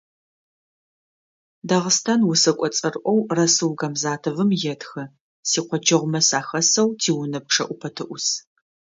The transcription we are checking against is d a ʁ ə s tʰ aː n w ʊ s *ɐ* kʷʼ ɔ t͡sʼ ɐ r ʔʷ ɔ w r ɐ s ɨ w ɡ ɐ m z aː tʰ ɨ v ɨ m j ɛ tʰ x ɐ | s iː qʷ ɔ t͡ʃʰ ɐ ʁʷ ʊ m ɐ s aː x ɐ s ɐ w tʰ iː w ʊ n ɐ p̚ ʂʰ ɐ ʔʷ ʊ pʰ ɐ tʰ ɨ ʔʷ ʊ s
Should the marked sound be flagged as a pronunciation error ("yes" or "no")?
no